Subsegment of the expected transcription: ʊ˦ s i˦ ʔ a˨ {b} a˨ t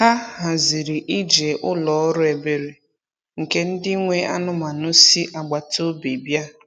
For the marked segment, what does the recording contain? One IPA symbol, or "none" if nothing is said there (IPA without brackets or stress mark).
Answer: ɡ͡b